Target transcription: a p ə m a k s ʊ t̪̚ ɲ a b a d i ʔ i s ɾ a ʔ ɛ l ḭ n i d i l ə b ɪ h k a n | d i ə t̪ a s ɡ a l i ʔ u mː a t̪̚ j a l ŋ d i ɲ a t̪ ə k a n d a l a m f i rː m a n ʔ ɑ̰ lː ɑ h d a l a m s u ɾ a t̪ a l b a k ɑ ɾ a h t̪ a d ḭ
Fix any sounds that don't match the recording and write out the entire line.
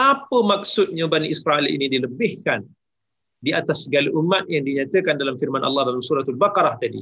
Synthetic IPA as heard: a p ə m a k s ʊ t̪̚ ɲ a b a n i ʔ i s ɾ a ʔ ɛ l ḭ n i d i l ə b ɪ h k a n | d i a t̪ a s ɡ a l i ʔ u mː a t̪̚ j a ŋ d i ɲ a t̪ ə k a n d a l a m f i r m a n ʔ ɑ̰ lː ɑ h d a l a m s u ɾ a t̪ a l b a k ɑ ɾ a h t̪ a d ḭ